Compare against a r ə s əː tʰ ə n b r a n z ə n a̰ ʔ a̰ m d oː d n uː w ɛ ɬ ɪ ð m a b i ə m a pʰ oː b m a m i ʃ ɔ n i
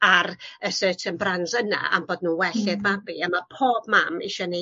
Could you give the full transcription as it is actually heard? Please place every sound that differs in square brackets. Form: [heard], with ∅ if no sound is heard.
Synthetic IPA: a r ə s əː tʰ ə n b r a n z ə n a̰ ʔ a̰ m [b] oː d n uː w ɛ ɬ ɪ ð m a b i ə m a pʰ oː b m a m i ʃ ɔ n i